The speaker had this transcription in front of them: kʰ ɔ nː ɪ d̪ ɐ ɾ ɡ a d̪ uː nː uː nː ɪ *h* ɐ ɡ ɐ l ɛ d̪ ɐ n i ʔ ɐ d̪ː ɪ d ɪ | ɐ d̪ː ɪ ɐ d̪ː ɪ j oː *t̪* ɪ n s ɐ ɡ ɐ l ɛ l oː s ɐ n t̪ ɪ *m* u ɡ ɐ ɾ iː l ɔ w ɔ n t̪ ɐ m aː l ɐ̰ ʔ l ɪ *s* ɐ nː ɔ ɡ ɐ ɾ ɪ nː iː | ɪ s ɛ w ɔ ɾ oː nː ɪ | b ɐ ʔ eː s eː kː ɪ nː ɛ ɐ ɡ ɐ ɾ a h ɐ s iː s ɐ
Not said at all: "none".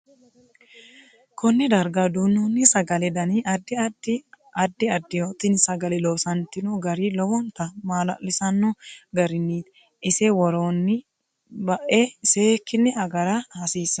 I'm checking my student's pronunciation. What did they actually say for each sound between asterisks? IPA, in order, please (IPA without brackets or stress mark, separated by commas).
s, t̪, n, s